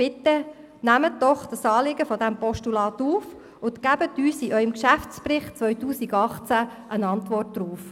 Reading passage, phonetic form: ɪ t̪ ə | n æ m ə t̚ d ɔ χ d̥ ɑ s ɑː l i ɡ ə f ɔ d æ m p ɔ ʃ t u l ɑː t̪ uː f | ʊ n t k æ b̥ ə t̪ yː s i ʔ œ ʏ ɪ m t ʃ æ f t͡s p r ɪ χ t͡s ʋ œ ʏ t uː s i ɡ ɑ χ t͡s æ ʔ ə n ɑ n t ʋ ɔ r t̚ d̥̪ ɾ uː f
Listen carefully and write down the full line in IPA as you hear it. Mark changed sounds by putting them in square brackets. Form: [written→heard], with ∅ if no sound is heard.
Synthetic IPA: ɪ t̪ ə | n æ m ə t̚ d ɔ χ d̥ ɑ s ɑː l [i→ɪ] ɡ ə f ɔ d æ m p ɔ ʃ t u l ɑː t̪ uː f | ʊ n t k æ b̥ ə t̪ yː s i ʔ œ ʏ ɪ m [t→k] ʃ æ f t͡s p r ɪ χ t͡s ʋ œ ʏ t uː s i ɡ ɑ χ t͡s æ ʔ ə n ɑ n t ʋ ɔ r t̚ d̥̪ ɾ uː f

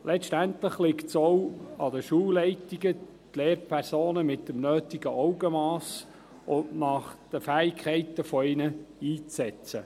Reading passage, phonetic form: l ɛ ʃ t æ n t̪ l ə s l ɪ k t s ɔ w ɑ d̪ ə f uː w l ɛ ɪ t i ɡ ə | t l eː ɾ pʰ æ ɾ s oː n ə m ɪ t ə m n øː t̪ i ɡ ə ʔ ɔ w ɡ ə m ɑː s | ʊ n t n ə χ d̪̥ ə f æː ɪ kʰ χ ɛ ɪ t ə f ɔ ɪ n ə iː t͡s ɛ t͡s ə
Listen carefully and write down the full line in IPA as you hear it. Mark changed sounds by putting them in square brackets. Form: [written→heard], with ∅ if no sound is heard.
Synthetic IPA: l ɛ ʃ t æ n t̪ l ə [s→χ] l ɪ k t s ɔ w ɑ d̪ ə [f→ʃ] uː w l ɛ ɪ t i ɡ ə | t l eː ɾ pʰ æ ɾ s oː n ə m ɪ t ə m n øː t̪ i ɡ ə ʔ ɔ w ɡ ə m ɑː s | ʊ n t n [ə→ɑ] χ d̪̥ ə f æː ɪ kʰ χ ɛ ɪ t ə f ɔ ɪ n ə iː t͡s ɛ t͡s ə

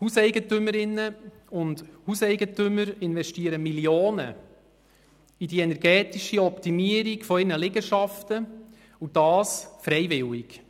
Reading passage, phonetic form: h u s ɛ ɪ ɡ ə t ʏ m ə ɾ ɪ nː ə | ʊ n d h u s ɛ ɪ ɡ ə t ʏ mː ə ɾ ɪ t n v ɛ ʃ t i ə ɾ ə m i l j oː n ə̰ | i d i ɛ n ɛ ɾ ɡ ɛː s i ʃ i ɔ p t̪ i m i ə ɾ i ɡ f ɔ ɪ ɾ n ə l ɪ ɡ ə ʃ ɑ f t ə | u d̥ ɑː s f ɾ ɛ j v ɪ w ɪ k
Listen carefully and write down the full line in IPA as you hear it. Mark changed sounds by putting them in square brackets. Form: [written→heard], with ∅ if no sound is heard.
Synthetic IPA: h u s ɛ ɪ ɡ ə t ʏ m ə ɾ ɪ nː ə | ʊ n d h u s ɛ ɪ ɡ ə t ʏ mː ə ɾ ɪ [t→∅] n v ɛ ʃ t i ə ɾ ə m i l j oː n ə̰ | i d i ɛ n ɛ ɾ ɡ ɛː [s→t] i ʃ i ɔ p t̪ i m i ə ɾ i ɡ f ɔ ɪ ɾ n ə l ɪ ɡ ə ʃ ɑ f t ə | u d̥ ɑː s f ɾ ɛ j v ɪ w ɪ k

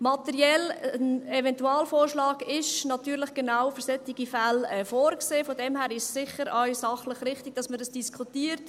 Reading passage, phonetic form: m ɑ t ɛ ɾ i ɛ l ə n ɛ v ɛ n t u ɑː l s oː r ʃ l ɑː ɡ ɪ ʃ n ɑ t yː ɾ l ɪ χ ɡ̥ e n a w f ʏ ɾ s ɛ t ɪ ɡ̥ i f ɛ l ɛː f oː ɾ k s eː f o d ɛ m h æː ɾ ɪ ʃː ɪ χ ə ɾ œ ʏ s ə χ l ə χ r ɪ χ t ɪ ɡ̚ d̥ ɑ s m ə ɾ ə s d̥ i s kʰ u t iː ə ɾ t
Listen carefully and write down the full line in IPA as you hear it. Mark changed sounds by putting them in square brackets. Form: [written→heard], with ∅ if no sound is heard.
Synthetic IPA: m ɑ t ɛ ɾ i ɛ l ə n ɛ v ɛ n t u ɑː l [s→f] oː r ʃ l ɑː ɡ ɪ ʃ n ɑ t yː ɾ l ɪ χ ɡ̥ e n a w f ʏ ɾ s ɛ t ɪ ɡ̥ i f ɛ l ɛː f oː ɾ k s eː f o d ɛ m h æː ɾ ɪ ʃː ɪ χ ə ɾ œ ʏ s [ə→ɑ] χ l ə χ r ɪ χ t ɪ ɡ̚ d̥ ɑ s m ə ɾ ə s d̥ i s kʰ u t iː ə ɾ t

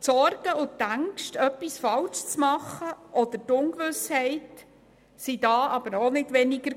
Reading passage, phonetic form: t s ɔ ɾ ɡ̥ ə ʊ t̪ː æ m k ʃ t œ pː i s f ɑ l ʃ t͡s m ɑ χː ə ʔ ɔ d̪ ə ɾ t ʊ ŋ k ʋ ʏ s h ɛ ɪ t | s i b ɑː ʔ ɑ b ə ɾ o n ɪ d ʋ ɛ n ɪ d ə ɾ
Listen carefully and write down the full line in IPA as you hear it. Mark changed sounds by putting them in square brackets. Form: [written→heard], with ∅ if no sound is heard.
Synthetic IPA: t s ɔ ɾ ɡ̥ ə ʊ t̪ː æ [m→ŋ] k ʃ t œ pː i s f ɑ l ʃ t͡s m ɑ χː ə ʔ ɔ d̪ ə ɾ t ʊ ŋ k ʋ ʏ s h ɛ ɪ t | s i [b→d] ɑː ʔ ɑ b ə ɾ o n ɪ d ʋ ɛ n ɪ [d→ɡ] ə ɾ

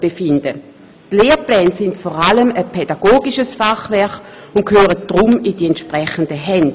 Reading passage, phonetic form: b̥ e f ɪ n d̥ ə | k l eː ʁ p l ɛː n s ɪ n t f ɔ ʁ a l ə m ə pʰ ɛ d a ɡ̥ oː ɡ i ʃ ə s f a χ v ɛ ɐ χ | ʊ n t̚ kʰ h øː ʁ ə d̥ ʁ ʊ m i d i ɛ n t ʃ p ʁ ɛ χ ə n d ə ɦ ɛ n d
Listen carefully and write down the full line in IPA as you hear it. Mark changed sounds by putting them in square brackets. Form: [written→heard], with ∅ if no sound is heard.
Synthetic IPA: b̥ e f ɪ n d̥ ə | [k→t] l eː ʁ p l ɛː n s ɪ n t f ɔ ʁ a l ə m ə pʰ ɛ d a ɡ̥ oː ɡ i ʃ ə s f a χ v ɛ ɐ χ | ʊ n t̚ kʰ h øː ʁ ə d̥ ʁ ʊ m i d i ɛ n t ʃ p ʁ ɛ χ ə n d ə ɦ ɛ n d

